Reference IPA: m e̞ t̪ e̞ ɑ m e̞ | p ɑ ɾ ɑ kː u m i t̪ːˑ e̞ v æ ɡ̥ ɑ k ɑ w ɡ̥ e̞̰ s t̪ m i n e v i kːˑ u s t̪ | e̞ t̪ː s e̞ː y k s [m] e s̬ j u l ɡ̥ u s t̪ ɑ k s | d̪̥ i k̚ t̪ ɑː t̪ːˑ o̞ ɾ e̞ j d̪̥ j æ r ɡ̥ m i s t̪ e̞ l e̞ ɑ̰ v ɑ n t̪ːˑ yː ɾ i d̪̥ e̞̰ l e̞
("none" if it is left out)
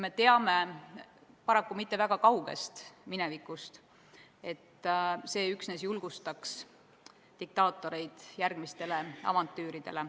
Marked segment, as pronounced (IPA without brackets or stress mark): n